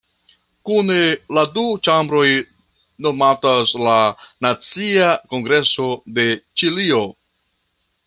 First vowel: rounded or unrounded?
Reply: rounded